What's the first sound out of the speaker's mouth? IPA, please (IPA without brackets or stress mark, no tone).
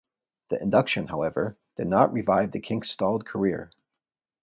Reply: ð